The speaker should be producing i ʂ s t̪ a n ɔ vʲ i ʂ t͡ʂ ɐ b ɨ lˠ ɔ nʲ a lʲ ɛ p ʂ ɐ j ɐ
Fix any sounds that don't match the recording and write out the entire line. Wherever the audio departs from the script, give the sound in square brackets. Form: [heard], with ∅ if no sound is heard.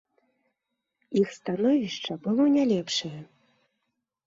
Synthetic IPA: i [x] s t̪ a n ɔ vʲ i ʂ t͡ʂ ɐ b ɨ lˠ ɔ nʲ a lʲ ɛ p ʂ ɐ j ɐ